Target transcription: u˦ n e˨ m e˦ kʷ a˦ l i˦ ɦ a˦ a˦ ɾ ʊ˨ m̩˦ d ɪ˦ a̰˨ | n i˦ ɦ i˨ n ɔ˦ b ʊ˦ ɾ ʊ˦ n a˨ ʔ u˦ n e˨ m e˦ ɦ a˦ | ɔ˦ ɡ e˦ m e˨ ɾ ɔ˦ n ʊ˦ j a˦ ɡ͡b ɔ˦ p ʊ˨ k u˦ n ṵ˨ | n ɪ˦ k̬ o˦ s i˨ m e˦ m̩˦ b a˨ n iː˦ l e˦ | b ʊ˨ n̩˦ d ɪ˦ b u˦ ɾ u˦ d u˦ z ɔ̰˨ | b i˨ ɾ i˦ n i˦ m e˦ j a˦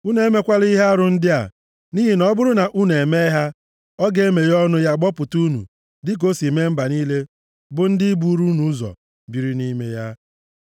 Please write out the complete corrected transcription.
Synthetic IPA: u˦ n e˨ m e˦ kʷ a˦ l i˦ ɦ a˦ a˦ ɾ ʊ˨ n̩˦ d ɪ˦ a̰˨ | n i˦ ɦ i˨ n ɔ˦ b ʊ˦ ɾ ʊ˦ n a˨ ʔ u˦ n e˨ m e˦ ɦ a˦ | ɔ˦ ɡ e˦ m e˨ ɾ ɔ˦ n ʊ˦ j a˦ ɡ͡b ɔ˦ p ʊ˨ t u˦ n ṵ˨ | d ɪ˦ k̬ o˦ s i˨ m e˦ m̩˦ b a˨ n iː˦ l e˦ | b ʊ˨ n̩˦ d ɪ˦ b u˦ ɾ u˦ n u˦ z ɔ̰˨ | b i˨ ɾ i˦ n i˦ m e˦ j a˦

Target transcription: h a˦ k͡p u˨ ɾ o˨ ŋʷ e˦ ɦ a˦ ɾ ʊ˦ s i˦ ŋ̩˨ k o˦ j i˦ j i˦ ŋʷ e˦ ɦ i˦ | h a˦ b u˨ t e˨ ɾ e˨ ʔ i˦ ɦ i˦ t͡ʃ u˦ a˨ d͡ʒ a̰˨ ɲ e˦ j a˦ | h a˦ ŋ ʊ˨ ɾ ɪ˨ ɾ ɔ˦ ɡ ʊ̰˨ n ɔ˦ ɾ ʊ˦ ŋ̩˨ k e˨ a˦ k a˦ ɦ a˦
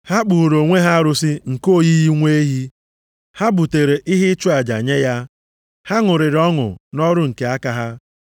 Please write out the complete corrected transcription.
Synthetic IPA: h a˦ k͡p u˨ ɾ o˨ ŋʷ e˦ ɦ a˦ ɾ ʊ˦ s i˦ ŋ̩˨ k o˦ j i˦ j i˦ ŋʷ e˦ ɦ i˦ | h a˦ b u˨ t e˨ ɾ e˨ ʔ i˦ ɦ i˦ t͡ʃ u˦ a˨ d͡ʒ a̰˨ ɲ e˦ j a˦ | h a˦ ŋ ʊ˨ ɾ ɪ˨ ɾ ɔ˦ ŋ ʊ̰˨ n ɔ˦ ɾ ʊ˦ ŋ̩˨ k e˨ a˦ k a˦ ɦ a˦

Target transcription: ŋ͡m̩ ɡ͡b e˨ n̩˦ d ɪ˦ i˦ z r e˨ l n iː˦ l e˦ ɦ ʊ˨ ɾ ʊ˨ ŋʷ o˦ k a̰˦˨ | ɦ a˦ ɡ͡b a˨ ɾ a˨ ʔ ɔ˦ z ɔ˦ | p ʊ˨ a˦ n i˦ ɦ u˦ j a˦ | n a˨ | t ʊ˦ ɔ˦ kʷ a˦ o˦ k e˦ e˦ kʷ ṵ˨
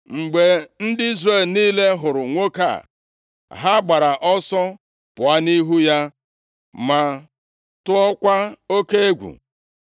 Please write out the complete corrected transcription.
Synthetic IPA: ŋ͡m̩ ɡ͡b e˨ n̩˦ d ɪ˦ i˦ z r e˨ l n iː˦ l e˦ ɦ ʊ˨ ɾ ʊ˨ ŋʷ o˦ k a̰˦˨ | ɦ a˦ ɡ͡b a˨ ɾ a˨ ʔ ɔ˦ s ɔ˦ | p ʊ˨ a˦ n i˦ ɦ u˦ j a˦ | m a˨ | t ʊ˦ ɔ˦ kʷ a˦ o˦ k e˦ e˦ ɡʷ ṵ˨

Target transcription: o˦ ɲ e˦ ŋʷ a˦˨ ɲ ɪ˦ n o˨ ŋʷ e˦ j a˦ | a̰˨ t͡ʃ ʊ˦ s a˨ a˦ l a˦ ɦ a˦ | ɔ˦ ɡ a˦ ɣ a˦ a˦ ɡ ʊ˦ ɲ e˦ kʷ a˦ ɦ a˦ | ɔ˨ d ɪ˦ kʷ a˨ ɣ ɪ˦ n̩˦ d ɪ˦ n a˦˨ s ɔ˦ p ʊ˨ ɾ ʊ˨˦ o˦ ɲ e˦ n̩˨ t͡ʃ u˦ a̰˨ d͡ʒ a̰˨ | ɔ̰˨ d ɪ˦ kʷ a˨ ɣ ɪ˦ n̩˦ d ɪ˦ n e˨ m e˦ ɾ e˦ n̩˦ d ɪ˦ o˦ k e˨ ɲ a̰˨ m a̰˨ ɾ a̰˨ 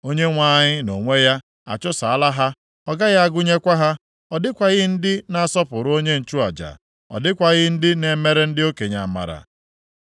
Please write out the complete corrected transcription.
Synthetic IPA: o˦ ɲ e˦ ŋʷ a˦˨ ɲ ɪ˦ n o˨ ŋʷ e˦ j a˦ | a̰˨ t͡ʃ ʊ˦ s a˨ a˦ l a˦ ɦ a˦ | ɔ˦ ɡ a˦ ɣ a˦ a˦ ɡ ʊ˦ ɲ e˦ kʷ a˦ ɦ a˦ | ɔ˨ d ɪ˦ kʷ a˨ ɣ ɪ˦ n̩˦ d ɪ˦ n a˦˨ s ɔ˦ p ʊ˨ ɾ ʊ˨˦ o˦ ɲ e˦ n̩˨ t͡ʃ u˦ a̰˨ d͡ʒ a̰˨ | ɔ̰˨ d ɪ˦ kʷ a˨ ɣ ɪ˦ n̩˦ d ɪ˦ n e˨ m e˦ ɾ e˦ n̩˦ d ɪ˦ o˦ k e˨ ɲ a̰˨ m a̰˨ ɾ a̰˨

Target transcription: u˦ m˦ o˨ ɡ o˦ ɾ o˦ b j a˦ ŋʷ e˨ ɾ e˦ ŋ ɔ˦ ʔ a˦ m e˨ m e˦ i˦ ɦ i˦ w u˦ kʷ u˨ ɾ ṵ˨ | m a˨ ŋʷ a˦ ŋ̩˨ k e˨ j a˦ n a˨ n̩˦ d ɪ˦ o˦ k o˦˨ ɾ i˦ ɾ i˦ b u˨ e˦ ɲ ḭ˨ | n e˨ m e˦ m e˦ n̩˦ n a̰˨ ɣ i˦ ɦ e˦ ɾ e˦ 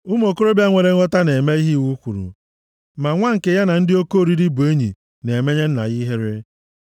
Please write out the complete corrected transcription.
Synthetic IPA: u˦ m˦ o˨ k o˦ ɾ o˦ b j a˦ ŋʷ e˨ ɾ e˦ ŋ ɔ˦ t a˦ n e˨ m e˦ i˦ ɦ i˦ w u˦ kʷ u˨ ɾ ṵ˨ | m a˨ ŋʷ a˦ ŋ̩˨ k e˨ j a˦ n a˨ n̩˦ d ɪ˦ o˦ k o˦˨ ɾ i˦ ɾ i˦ b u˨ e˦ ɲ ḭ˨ | n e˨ m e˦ ɲ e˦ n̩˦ n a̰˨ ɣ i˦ ɦ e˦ ɾ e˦

